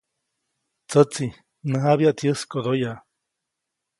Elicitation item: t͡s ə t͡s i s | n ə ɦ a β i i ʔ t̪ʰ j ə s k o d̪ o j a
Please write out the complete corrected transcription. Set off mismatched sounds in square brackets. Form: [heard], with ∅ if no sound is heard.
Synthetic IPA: t͡s ə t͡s i [∅] | n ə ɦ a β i [a] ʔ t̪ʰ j ə s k o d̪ o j a